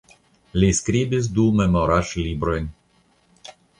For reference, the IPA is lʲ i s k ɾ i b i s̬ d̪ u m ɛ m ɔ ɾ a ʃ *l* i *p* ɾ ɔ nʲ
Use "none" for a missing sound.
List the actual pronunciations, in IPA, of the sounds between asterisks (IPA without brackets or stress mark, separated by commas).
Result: l, b